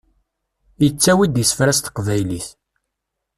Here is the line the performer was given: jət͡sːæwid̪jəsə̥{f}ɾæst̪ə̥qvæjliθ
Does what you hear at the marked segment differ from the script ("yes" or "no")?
no